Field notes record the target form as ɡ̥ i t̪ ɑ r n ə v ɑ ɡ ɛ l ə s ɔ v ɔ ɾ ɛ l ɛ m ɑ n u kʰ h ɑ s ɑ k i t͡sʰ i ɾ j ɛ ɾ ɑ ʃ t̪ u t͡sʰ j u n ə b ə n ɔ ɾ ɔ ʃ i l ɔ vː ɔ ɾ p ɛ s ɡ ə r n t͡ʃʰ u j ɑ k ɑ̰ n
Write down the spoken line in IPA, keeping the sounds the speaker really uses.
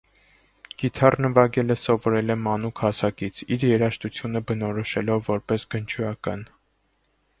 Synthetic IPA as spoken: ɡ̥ i t̪ʰ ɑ r n ə v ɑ ɡ ɛ l ə s ɔ v ɔ ɾ ɛ l ɛ m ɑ n u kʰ h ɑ s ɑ k i t͡sʰ i ɾ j ɛ ɾ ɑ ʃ t̪ u t͡sʰ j u n ə b ə n ɔ ɾ ɔ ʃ ɛ l ɔ vː ɔ ɾ p ɛ s ɡ ə n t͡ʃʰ u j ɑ k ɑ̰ n